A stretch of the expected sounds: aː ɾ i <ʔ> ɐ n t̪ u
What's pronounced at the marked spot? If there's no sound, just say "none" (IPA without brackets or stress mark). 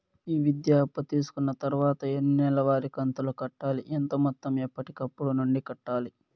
k